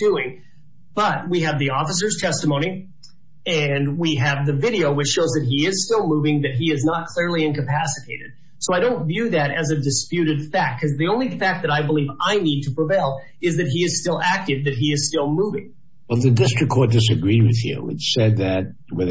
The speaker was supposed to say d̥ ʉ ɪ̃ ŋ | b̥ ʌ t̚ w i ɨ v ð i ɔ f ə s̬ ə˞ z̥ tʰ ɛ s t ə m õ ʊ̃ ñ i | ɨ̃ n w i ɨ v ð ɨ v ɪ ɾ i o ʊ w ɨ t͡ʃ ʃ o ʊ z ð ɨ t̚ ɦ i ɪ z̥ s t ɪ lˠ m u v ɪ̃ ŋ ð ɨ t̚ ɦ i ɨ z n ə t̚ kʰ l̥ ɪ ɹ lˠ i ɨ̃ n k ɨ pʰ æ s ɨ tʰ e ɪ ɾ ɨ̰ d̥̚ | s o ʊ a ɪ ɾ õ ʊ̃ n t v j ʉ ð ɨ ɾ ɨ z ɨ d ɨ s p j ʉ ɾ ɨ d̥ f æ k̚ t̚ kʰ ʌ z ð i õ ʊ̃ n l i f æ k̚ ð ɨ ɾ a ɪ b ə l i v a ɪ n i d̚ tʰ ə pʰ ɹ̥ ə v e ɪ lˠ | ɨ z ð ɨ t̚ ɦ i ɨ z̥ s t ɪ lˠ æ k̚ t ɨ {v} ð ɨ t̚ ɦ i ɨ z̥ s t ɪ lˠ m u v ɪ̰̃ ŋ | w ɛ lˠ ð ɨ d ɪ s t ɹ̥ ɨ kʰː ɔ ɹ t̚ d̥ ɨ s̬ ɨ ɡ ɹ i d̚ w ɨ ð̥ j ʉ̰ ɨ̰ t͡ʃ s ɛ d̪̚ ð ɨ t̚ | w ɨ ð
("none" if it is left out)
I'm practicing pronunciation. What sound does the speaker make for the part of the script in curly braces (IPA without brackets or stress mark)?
v